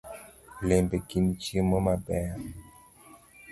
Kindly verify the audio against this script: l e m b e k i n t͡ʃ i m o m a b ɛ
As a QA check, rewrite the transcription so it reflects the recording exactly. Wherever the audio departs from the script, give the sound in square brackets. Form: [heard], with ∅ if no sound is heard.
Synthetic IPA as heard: l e m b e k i n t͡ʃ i m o m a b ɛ